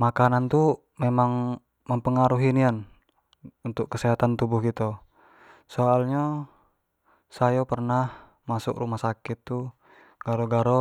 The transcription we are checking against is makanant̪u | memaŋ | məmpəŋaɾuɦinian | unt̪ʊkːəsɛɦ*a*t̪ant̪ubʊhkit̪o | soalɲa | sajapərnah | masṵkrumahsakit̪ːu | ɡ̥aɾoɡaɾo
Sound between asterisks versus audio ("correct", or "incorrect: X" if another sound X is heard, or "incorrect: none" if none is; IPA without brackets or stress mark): correct